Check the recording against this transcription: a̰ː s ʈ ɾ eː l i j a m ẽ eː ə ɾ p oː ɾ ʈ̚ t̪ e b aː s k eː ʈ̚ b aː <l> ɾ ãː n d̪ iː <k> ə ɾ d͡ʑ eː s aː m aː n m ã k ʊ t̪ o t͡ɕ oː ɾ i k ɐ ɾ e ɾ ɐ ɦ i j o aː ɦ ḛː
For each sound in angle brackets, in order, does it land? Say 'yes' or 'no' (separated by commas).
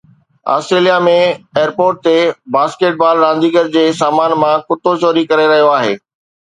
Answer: yes, no